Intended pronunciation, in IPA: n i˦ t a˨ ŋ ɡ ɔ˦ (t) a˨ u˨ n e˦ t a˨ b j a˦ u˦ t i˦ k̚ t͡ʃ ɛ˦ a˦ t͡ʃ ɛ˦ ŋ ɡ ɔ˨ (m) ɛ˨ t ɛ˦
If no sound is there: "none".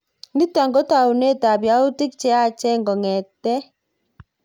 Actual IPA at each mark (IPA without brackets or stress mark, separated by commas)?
t, ŋ